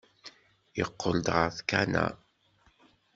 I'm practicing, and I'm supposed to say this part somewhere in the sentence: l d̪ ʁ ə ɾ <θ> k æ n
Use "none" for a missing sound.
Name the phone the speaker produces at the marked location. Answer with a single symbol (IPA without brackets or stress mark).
θ